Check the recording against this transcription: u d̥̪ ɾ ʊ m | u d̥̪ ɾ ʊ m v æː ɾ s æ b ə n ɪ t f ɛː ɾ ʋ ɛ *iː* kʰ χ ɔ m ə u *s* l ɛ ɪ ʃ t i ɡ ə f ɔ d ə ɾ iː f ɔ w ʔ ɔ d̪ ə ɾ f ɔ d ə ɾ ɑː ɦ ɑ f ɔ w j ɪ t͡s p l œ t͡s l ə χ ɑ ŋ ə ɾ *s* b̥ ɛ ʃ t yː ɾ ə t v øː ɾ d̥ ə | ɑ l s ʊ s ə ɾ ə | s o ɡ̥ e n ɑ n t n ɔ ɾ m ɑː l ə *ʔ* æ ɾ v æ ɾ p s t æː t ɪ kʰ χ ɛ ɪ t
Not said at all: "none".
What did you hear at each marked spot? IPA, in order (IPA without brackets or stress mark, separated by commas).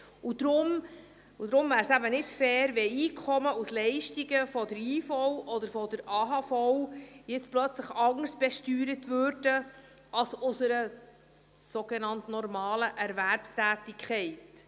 iː, s, s, ʔ